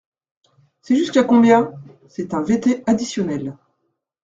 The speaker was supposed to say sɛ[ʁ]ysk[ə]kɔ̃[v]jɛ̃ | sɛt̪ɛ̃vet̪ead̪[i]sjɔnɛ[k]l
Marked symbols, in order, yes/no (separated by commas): no, no, no, yes, no